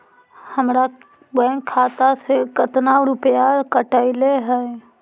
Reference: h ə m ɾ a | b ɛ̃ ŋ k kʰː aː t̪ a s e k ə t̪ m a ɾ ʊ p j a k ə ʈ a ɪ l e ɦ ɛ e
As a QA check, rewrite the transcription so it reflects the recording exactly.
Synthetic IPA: h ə m ɾ a | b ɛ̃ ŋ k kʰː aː t̪ a s e k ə t̪ n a ɾ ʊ p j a k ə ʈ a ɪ l e ɦ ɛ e